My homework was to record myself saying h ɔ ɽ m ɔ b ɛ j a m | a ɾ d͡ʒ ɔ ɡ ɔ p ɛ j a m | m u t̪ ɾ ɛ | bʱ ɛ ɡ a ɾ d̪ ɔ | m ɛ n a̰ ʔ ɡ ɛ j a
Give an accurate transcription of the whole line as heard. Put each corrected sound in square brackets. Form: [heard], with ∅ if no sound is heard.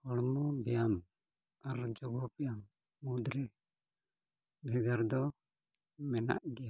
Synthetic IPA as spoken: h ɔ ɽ m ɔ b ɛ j a m | a ɾ d͡ʒ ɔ ɡ ɔ p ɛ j a m | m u [d̪] ɾ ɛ | bʱ ɛ ɡ a ɾ d̪ ɔ | m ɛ n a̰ ʔ ɡ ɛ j a

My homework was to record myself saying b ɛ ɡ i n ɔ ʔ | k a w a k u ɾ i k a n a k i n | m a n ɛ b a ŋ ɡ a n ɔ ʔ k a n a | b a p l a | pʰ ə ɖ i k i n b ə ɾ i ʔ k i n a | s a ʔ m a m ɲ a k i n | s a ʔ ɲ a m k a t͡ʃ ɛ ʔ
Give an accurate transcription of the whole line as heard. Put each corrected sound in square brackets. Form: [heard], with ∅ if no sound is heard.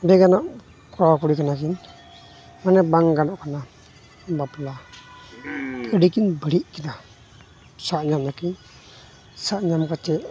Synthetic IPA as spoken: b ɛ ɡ [a] n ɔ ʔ | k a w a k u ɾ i k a n a k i n | m a n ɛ b a ŋ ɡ a n ɔ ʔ k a n a | b a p l a | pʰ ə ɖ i k i n b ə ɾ i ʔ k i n a | s a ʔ [ɲ] a m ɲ a k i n | s a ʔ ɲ a m k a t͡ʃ ɛ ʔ

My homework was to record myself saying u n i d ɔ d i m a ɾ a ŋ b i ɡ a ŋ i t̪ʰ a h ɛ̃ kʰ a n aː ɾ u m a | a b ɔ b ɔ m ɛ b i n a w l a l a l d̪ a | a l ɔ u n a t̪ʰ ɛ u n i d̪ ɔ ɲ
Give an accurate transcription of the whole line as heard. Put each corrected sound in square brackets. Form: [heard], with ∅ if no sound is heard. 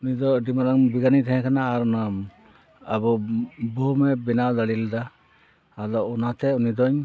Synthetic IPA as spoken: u n i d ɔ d i m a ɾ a ŋ b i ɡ a [n] i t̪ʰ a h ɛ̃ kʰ a n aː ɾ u [n] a | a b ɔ b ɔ m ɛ b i n a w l a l [i] l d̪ a | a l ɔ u n a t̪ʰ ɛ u n i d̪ ɔ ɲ

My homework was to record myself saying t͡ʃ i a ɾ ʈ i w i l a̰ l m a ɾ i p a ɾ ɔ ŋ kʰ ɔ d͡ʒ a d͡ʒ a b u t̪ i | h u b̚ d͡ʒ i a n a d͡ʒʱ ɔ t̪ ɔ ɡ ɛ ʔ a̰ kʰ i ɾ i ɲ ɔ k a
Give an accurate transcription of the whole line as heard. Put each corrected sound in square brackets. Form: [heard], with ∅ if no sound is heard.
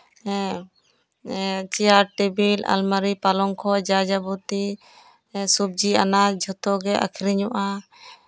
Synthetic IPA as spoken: t͡ʃ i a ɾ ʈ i [b] i l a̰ l m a ɾ i p a [l] ɔ ŋ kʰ ɔ d͡ʒ a d͡ʒ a b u t̪ i | [s] u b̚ d͡ʒ i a n a d͡ʒʱ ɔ t̪ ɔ ɡ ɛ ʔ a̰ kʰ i ɾ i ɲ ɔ [ʔ] a

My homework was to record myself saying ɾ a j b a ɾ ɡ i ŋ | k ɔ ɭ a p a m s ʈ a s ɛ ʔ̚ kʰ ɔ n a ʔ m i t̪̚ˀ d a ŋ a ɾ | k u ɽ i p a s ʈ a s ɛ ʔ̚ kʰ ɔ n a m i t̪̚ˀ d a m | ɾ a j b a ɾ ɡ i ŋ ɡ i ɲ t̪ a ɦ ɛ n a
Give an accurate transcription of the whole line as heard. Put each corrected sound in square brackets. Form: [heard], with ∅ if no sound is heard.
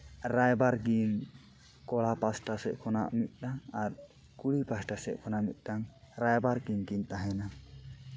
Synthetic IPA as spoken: ɾ a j b a ɾ ɡ i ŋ | k ɔ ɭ a p a [∅] s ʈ a s ɛ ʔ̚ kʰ ɔ n a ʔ m i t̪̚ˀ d a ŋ a ɾ | k u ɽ i p a s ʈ a s ɛ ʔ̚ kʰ ɔ n a m i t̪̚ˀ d a [ŋ] | ɾ a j b a ɾ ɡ i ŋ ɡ i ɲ t̪ a ɦ ɛ n a

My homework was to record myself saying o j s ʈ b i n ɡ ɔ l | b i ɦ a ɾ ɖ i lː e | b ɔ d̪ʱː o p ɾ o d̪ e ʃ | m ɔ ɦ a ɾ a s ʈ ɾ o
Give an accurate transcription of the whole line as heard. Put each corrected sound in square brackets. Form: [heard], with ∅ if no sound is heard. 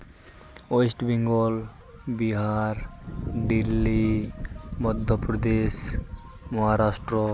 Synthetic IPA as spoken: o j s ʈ b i [ŋ] ɡ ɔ l | b i ɦ a ɾ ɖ i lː [i] | [m] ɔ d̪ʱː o p ɾ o d̪ e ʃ | m ɔ ɦ a ɾ a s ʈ ɾ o

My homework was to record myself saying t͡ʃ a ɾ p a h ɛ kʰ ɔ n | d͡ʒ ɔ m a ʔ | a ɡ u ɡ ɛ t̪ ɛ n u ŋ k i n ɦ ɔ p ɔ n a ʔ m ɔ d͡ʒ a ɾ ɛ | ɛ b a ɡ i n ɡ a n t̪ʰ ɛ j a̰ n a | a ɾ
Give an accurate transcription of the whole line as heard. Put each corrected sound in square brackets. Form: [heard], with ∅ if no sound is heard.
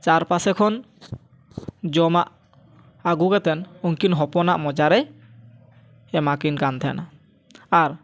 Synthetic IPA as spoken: t͡ʃ a ɾ p a [s] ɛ kʰ ɔ n | d͡ʒ ɔ m a ʔ | a ɡ u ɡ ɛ t̪ ɛ n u ŋ k i n ɦ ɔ p ɔ n a ʔ m ɔ d͡ʒ a ɾ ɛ | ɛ [m] a [k] i n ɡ a n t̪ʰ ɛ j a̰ n a | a ɾ

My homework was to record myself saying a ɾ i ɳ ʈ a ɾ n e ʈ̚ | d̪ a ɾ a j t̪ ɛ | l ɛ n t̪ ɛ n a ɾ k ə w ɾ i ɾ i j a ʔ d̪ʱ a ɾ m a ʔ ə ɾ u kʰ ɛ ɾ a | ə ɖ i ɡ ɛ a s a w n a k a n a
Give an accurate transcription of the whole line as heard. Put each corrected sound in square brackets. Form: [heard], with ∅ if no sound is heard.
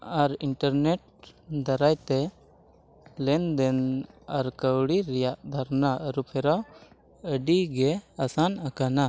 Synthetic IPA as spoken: a ɾ i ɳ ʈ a ɾ n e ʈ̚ | d̪ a ɾ a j t̪ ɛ | l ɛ n [d̪] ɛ n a ɾ k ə w [ɽ] i ɾ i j a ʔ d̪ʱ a ɾ [n] a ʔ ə ɾ u [pʰ] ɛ ɾ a | ə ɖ i ɡ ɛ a s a [∅] n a k a n a

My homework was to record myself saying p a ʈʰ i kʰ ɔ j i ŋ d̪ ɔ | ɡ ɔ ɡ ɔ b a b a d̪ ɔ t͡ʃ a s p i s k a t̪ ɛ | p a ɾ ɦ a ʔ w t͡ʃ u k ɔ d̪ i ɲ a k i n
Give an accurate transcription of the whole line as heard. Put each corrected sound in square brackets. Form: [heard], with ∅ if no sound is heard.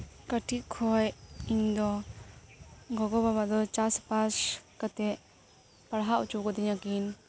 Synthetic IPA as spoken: [k] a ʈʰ i kʰ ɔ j i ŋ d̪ ɔ | ɡ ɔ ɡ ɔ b a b a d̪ ɔ t͡ʃ a s p [a] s k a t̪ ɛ | p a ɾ ɦ a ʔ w t͡ʃ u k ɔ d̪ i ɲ a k i n

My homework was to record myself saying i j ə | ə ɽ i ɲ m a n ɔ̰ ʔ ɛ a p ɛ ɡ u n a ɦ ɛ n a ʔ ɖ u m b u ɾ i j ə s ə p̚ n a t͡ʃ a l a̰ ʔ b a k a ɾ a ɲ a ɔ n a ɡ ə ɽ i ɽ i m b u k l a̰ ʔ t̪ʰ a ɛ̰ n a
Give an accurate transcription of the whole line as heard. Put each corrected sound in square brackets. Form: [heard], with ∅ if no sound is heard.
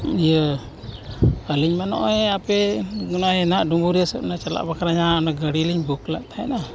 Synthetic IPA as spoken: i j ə | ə [l] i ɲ m a n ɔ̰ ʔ ɛ a p ɛ ɡ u n a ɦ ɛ n a ʔ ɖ u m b u ɾ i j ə s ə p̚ n a t͡ʃ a l a̰ ʔ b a k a ɾ a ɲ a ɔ n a ɡ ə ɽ i [l] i [ɲ] b u k l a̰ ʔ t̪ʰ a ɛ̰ n a

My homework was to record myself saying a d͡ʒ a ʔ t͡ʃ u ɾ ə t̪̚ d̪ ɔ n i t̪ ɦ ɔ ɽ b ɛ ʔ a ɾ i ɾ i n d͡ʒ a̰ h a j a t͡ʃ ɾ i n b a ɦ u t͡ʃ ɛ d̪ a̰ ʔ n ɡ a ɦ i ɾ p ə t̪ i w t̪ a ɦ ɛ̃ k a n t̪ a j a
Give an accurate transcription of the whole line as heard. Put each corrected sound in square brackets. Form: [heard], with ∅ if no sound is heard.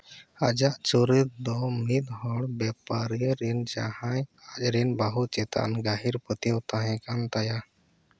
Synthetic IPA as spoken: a d͡ʒ a ʔ t͡ʃ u ɾ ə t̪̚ d̪ ɔ [m] i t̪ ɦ ɔ ɽ b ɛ [p] a ɾ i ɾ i n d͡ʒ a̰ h a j a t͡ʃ ɾ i n b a ɦ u t͡ʃ ɛ [t̪] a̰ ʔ n ɡ a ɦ i ɾ p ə t̪ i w t̪ a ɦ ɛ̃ k a n t̪ a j a

